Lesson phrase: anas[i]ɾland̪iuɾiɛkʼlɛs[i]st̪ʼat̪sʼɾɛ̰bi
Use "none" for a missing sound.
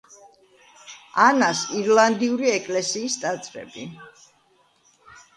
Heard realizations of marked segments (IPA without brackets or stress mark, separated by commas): i, iː